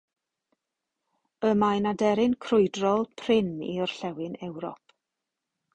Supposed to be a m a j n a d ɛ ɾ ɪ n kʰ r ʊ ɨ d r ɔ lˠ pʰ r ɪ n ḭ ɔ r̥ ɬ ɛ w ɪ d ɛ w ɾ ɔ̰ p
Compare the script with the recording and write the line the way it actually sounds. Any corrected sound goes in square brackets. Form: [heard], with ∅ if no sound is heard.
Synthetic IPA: [ə] m a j n a d ɛ ɾ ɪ n kʰ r ʊ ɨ d r ɔ lˠ pʰ r ɪ n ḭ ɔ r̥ ɬ ɛ w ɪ [n] ɛ w ɾ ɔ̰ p